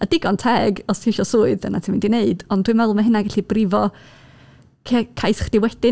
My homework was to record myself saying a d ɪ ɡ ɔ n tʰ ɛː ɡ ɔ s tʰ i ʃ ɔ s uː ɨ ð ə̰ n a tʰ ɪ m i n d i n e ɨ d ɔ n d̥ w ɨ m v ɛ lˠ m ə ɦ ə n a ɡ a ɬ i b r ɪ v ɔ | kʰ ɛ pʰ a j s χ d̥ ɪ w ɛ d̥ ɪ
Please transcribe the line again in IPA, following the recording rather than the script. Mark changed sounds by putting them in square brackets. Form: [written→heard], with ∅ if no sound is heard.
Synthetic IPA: a d ɪ ɡ ɔ n tʰ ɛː ɡ ɔ s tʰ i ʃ ɔ s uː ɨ ð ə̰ n a tʰ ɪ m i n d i n e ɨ d ɔ n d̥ w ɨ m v ɛ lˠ m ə ɦ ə n a ɡ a ɬ i b r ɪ v ɔ | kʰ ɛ [pʰ→kʰ] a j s χ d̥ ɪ w ɛ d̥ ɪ